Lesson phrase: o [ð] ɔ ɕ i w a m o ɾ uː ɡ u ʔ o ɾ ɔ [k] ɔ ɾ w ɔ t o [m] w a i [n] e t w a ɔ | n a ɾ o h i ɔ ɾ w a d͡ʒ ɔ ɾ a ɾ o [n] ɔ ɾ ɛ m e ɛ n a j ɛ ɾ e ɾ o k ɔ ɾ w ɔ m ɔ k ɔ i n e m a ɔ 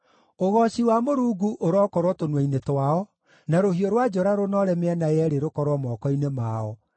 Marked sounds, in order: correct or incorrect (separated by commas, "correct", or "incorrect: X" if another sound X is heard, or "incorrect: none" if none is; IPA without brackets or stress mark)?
incorrect: ɣ, correct, incorrect: n, correct, correct